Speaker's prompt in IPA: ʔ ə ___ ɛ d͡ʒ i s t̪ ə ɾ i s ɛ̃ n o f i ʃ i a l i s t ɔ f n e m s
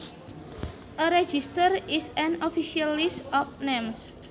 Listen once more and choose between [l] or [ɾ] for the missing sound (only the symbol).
ɾ